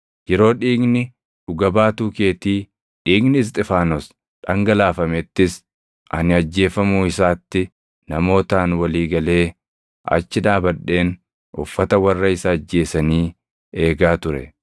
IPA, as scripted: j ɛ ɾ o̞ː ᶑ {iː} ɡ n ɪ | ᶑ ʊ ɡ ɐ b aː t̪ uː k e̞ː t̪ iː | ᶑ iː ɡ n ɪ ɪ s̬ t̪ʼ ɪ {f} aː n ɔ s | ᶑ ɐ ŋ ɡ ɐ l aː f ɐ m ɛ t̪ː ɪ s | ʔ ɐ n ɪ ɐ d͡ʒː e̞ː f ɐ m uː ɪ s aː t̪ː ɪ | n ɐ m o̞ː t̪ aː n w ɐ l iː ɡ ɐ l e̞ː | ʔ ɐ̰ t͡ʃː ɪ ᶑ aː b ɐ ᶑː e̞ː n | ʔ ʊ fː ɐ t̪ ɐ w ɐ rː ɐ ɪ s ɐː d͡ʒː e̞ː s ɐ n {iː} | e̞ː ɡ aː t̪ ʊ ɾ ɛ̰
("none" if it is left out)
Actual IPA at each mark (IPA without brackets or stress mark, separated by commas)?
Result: iː, f, iː